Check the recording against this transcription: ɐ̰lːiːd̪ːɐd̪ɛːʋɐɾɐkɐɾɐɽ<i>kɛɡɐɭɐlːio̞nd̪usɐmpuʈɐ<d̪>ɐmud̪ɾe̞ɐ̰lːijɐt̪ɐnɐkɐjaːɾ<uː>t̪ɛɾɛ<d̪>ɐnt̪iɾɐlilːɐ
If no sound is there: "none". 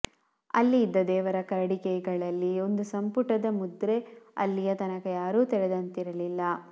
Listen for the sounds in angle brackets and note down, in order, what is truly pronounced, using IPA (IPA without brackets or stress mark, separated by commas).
i, d̪, uː, d̪